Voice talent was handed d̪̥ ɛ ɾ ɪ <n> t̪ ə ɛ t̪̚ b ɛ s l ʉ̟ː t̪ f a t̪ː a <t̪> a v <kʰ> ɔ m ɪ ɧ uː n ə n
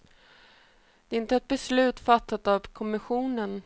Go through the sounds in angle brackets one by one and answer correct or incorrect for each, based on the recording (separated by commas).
correct, correct, correct